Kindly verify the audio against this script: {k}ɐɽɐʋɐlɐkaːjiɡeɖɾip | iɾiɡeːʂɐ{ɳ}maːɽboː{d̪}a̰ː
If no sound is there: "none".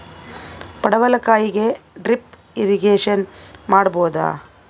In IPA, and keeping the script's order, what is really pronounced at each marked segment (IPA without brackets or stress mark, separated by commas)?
p, n, d̪